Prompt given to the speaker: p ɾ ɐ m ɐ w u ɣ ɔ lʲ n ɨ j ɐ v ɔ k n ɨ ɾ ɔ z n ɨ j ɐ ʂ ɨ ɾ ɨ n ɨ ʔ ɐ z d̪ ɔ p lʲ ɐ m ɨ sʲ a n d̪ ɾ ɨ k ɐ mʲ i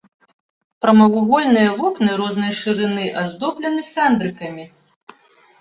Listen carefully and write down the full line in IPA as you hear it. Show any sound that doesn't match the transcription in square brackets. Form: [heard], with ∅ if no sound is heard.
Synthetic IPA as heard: p ɾ ɐ m ɐ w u ɣ ɔ lʲ n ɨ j ɐ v ɔ k n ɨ ɾ ɔ z n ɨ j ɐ ʂ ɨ ɾ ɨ n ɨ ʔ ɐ z d̪ ɔ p lʲ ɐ [n] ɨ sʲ a n d̪ ɾ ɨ k ɐ mʲ i